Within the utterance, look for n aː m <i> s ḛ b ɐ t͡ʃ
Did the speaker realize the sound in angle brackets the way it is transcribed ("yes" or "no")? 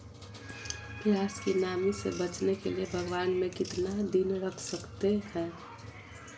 yes